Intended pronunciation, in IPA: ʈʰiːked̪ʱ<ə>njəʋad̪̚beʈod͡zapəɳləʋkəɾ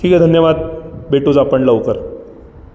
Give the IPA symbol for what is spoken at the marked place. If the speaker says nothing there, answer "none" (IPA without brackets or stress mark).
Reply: ə